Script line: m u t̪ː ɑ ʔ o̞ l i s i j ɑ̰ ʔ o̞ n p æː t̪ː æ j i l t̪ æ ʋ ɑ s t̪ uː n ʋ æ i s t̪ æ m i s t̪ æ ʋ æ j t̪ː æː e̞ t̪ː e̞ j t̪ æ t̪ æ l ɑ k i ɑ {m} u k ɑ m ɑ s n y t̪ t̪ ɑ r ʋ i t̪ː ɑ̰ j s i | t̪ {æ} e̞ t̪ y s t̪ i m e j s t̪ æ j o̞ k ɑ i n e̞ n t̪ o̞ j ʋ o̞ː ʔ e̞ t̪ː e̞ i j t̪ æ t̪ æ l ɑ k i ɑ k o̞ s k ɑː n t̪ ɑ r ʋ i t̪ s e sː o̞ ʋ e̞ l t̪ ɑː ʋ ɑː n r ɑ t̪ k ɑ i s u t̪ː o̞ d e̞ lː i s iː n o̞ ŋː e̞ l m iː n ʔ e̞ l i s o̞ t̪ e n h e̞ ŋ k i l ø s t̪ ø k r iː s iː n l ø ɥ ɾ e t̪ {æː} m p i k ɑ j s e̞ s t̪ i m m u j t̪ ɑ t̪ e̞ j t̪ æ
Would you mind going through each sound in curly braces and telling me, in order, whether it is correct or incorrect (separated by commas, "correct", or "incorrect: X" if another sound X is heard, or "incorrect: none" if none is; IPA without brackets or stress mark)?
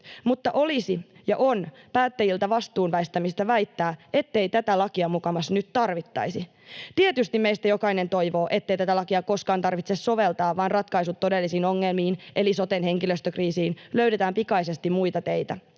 correct, incorrect: i, correct